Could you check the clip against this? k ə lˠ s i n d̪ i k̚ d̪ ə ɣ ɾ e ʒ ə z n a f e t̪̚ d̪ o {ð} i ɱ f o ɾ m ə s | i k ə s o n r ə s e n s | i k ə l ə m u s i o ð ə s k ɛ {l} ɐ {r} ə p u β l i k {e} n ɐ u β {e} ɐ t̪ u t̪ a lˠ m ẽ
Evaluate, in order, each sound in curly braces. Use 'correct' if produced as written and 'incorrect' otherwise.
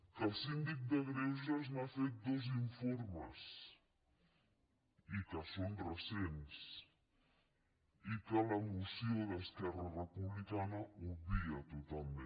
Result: incorrect, incorrect, correct, incorrect, incorrect

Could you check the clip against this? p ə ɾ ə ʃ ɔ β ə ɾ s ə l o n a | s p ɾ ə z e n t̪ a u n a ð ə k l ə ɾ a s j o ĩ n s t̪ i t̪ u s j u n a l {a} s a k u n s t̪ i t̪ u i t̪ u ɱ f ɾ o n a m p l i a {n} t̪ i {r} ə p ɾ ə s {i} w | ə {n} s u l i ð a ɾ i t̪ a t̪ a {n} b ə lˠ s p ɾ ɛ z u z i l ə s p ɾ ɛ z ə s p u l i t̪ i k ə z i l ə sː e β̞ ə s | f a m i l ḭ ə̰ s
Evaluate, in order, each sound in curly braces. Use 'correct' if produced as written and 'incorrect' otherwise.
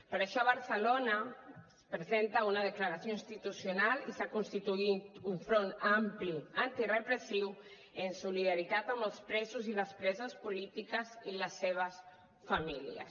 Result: incorrect, correct, correct, correct, correct, incorrect

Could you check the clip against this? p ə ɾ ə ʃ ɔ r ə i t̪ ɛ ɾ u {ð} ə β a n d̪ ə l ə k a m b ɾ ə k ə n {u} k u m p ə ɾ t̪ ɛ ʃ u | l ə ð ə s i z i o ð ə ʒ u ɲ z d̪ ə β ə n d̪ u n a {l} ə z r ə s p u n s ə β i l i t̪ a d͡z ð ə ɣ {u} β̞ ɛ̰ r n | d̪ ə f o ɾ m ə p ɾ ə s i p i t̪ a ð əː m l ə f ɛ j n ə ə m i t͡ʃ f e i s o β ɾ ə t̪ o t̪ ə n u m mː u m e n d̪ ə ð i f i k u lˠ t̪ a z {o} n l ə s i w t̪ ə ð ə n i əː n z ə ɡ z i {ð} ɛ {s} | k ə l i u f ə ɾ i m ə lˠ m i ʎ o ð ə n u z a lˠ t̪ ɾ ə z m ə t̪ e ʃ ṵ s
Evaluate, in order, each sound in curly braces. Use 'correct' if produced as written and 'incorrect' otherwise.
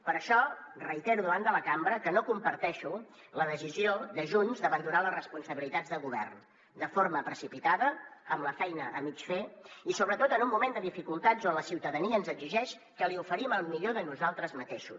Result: correct, incorrect, correct, correct, correct, incorrect, incorrect

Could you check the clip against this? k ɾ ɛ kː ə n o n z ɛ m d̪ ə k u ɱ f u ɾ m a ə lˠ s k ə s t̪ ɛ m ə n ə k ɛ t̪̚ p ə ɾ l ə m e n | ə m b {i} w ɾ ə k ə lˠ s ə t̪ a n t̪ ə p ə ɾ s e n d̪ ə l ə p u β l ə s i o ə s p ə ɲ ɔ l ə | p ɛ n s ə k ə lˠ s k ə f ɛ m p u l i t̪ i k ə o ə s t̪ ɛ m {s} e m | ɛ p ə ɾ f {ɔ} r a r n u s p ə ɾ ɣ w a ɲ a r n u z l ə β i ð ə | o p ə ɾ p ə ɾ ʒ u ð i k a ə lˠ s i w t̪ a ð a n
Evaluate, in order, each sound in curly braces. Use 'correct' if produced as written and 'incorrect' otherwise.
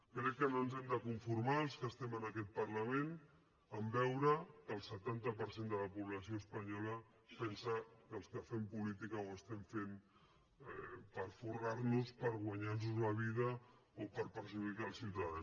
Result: incorrect, incorrect, incorrect

